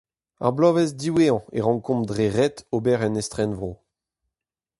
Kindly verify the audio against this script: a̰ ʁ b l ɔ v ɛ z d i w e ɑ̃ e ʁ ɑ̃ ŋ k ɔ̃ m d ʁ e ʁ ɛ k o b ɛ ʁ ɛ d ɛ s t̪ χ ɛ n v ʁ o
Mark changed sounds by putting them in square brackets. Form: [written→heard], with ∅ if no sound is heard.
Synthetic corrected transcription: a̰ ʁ b l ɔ v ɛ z d i w e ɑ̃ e ʁ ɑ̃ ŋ k ɔ̃ m d ʁ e ʁ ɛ [k→t] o b ɛ ʁ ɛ [d→n] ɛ s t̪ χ ɛ n v ʁ o